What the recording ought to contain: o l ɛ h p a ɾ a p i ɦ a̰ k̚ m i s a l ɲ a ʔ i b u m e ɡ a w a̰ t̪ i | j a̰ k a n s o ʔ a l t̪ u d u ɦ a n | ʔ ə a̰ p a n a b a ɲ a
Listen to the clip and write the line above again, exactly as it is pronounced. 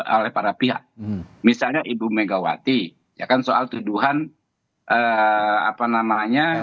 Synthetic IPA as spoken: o l ɛ h p a ɾ a p i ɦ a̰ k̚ m i s a l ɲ a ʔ i b u m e ɡ a w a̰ t̪ i | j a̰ k a n s o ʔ a l t̪ u d u ɦ a n | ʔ ə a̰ p a n a m a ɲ a